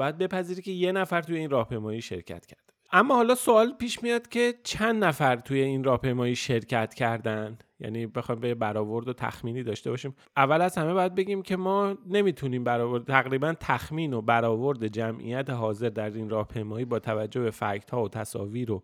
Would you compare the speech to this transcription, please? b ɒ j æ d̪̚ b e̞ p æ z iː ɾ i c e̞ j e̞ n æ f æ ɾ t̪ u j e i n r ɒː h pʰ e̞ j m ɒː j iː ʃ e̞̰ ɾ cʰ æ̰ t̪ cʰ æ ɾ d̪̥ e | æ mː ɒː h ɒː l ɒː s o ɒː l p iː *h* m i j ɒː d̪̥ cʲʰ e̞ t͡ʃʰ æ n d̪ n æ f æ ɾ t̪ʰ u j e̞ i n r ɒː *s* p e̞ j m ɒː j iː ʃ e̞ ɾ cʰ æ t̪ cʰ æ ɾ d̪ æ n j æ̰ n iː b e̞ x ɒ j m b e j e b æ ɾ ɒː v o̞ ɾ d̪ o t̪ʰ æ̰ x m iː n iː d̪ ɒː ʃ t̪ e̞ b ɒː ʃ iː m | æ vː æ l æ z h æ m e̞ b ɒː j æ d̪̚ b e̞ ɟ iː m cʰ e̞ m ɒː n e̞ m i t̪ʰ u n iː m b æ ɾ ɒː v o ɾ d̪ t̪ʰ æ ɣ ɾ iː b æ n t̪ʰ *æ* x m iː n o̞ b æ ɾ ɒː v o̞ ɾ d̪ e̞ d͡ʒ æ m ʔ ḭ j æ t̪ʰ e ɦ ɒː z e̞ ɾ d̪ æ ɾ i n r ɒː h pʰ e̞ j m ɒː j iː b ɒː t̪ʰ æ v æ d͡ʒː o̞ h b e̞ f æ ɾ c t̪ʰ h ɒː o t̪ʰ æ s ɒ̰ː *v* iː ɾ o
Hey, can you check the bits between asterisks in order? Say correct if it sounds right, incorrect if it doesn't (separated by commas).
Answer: incorrect, incorrect, correct, correct